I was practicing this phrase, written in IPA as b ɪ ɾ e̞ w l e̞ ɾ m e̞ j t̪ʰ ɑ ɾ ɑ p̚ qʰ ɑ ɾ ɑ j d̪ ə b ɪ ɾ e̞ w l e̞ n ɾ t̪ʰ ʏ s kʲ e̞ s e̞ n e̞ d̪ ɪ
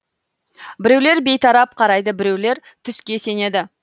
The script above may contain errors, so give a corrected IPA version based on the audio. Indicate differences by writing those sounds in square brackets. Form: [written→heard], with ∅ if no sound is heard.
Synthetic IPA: b ɪ ɾ e̞ w l e̞ ɾ [m→b] e̞ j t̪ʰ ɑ ɾ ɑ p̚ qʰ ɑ ɾ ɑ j d̪ ə b ɪ ɾ e̞ w l e̞ [n→∅] ɾ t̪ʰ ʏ s kʲ e̞ s e̞ n e̞ d̪ ɪ